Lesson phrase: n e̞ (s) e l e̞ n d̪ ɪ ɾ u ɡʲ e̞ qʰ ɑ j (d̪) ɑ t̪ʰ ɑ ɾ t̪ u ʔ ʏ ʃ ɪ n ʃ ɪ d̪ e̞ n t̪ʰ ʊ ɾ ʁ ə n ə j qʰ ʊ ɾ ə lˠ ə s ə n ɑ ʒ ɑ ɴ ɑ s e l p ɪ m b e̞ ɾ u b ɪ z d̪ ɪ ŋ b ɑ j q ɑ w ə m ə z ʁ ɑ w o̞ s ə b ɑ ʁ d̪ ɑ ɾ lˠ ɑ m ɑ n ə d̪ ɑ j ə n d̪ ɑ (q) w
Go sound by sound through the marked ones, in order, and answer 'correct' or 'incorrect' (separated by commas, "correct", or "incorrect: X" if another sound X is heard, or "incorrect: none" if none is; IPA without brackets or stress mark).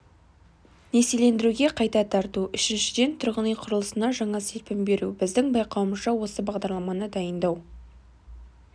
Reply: correct, incorrect: t̪, incorrect: none